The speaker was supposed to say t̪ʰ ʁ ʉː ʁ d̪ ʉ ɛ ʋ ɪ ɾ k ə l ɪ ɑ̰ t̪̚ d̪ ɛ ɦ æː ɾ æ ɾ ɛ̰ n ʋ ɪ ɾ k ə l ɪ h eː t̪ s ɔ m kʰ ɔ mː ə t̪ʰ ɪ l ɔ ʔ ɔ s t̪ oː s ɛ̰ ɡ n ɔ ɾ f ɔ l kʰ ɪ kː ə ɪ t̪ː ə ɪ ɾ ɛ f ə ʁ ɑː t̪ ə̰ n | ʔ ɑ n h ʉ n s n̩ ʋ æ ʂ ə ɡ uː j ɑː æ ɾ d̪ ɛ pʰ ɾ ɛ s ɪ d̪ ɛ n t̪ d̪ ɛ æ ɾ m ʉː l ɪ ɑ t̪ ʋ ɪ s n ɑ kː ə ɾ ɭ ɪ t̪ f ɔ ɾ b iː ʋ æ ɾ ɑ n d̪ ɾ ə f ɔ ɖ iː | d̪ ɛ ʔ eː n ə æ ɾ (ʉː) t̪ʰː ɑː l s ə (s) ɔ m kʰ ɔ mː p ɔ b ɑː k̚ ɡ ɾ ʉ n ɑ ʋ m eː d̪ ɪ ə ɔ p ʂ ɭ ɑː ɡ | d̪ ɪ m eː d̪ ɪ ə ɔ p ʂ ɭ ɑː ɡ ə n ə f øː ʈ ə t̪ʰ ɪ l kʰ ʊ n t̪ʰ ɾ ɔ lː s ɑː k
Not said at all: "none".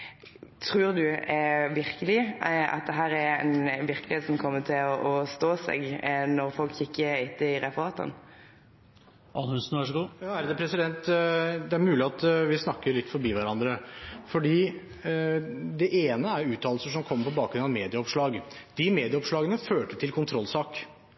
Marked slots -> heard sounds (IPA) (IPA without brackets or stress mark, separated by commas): ʉː, ʂ